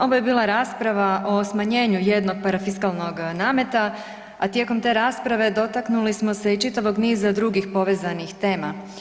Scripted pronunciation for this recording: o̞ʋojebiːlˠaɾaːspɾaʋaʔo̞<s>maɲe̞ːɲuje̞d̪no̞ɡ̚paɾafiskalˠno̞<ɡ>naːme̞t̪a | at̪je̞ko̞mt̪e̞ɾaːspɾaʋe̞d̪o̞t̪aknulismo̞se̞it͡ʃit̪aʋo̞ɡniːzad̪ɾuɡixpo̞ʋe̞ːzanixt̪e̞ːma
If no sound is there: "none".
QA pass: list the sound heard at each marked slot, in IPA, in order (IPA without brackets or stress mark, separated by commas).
s, ɡ